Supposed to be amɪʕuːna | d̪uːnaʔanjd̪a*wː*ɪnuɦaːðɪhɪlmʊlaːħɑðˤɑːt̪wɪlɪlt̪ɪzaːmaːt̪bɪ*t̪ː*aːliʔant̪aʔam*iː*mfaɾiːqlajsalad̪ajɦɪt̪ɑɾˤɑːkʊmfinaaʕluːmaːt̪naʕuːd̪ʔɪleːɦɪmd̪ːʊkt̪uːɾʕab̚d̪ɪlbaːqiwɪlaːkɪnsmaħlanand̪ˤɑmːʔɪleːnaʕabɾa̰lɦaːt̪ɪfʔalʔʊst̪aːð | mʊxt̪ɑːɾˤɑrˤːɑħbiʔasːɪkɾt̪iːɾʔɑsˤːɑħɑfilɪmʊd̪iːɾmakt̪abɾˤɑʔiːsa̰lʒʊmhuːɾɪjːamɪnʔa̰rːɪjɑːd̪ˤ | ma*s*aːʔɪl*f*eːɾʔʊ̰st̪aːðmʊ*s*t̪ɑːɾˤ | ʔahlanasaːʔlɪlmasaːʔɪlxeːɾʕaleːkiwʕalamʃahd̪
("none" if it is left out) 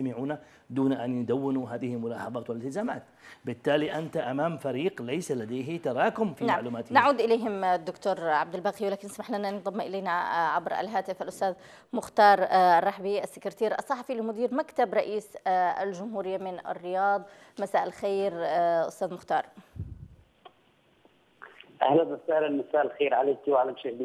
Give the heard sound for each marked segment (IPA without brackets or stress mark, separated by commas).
wː, t̪ː, aː, s, x, x